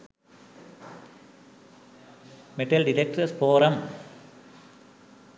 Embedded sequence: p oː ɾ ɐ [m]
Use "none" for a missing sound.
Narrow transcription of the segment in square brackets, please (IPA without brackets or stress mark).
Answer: m